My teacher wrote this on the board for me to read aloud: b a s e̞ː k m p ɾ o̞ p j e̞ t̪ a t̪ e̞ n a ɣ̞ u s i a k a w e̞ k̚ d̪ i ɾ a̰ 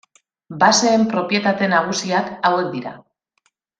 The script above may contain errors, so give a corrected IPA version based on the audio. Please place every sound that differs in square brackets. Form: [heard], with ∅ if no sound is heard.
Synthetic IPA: b a s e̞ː [∅] m p ɾ o̞ p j e̞ t̪ a t̪ e̞ n a ɣ̞ u s i a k a w e̞ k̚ d̪ i ɾ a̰